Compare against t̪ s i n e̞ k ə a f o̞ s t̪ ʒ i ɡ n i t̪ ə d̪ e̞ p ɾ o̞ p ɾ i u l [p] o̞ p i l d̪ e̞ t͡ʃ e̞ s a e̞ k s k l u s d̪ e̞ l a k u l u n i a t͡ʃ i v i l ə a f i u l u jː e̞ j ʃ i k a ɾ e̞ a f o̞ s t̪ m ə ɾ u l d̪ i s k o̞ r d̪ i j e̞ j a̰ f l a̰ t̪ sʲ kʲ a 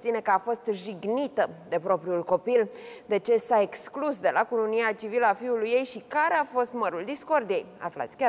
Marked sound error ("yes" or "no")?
yes